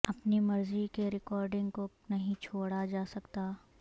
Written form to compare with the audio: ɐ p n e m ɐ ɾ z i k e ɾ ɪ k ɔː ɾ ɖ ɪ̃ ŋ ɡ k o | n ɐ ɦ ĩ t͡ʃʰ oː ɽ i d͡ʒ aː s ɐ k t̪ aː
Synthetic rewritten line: ɐ p n i m ɐ ɾ z i k e ɾ ɪ k ɔː ɾ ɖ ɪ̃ ŋ ɡ k o | n ɐ ɦ ĩ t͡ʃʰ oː ɽ a d͡ʒ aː s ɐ k t̪ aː